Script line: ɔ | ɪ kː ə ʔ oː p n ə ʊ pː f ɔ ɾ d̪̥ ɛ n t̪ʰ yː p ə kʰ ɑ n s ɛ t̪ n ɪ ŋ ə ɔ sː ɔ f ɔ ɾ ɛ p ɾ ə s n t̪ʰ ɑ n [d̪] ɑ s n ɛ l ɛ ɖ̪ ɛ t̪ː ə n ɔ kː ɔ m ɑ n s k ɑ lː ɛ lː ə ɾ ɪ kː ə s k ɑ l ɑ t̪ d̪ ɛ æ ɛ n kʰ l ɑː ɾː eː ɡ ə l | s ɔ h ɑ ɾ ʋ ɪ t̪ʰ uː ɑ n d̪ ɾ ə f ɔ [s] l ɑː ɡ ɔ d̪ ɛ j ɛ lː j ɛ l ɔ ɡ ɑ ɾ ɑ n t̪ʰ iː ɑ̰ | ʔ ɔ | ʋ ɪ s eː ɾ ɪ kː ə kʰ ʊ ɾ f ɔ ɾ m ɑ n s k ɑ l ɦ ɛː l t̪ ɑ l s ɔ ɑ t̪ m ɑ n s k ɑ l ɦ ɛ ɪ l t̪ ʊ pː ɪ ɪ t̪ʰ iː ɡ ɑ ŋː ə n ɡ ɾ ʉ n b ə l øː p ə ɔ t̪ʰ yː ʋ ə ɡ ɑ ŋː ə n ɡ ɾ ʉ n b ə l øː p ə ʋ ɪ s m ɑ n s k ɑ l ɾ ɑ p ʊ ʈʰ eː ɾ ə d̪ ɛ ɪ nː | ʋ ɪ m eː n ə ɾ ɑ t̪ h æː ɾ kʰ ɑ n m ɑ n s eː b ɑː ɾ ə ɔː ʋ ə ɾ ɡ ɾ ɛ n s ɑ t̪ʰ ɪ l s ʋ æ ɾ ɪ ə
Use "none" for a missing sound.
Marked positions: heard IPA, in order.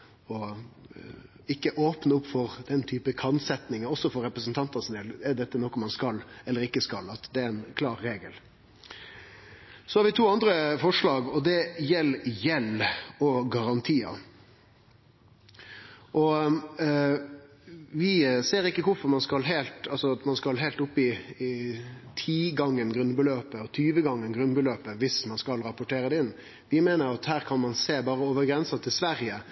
t̪, ʂ

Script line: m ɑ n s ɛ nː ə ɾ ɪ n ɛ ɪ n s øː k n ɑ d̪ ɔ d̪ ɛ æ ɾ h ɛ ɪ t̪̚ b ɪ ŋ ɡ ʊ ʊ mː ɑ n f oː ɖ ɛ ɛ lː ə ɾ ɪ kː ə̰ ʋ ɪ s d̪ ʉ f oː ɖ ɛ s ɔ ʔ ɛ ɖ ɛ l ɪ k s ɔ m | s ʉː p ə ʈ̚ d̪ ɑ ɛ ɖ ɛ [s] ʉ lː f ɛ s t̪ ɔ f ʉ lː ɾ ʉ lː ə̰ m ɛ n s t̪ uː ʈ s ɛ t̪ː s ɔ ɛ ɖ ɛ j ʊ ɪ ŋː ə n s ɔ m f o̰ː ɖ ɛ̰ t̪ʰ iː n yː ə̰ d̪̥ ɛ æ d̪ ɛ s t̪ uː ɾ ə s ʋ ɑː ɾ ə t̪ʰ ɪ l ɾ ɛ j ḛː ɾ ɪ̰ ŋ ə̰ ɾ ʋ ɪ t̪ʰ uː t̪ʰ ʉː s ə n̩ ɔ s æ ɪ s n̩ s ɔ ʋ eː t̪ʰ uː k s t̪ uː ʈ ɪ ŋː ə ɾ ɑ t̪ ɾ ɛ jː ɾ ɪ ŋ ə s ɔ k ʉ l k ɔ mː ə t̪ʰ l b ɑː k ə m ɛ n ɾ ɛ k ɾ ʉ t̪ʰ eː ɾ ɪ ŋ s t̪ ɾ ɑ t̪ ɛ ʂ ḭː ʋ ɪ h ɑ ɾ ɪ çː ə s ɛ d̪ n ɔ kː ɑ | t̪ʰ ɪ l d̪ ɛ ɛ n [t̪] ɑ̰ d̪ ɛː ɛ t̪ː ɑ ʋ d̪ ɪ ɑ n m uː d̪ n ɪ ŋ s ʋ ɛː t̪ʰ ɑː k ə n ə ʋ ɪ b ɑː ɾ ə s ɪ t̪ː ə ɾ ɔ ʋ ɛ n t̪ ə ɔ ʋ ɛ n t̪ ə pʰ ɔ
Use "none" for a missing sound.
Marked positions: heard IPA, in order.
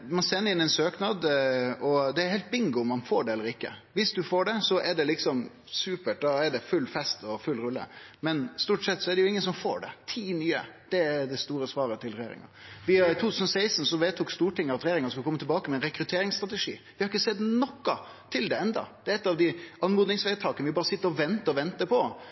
f, d̪

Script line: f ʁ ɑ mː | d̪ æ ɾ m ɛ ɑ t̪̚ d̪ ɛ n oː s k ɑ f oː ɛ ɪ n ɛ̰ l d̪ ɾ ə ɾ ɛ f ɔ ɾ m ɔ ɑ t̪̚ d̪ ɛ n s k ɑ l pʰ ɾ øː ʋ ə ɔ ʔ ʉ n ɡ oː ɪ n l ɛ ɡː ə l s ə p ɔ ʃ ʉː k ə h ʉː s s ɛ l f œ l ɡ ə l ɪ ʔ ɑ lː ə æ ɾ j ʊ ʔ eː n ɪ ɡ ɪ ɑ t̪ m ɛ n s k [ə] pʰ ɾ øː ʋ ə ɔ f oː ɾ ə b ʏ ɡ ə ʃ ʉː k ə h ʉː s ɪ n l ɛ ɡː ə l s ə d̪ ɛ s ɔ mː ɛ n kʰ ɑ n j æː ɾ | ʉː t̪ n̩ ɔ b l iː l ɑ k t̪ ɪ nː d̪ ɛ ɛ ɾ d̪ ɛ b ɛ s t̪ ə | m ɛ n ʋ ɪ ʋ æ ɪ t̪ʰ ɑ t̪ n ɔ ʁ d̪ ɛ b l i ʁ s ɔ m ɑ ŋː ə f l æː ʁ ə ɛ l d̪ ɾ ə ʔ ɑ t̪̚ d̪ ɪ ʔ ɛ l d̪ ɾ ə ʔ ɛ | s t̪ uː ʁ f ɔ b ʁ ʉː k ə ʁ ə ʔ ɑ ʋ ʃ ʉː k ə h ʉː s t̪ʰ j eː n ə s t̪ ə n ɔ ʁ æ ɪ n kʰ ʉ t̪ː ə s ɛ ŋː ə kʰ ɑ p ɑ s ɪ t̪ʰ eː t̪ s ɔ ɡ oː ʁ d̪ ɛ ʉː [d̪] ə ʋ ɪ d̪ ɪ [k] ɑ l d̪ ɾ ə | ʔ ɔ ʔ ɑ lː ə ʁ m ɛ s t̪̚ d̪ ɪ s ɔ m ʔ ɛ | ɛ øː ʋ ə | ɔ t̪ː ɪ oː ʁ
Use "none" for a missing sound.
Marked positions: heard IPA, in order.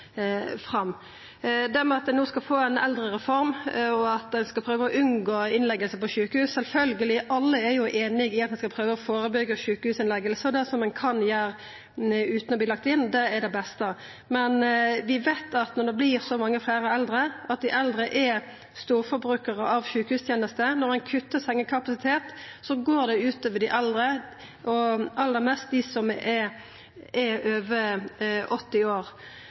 ɑ, t̪, ʔ

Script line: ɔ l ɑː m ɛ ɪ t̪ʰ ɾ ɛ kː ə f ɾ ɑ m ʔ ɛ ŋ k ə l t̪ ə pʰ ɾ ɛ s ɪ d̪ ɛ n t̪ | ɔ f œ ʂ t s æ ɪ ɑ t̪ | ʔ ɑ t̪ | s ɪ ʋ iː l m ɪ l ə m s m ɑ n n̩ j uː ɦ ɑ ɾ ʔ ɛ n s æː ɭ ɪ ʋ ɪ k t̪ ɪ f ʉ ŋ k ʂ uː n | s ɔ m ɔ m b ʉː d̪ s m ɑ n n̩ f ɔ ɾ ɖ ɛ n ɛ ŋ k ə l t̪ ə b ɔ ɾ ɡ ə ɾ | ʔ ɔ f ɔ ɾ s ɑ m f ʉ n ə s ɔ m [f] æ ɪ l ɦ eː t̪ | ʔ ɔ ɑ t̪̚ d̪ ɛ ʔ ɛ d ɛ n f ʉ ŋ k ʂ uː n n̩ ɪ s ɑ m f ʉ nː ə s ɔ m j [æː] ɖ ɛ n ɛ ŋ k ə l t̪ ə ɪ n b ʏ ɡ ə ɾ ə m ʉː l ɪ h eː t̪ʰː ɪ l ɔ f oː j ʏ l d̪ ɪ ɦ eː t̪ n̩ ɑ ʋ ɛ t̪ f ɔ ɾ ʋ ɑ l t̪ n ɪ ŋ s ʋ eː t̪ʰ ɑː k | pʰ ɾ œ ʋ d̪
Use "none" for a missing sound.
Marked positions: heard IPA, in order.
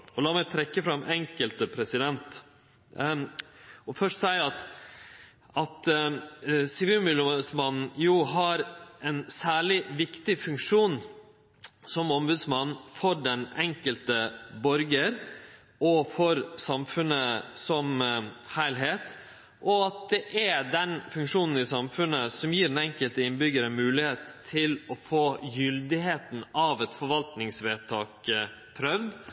h, iː

